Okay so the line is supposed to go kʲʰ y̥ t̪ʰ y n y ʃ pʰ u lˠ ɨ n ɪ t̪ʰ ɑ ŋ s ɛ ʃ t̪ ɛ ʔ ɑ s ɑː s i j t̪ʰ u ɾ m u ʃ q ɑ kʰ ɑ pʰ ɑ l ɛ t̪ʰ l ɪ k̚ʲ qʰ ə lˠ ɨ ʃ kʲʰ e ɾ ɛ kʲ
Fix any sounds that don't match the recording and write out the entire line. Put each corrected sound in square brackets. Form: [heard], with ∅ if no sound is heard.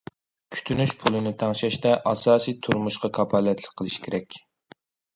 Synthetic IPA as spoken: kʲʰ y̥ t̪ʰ y n y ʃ pʰ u lˠ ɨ n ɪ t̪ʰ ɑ ŋ [ʃ] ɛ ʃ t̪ ɛ ʔ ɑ s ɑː s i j t̪ʰ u ɾ m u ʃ q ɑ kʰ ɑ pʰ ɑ l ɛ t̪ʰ l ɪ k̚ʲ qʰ ə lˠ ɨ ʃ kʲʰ e ɾ ɛ kʲ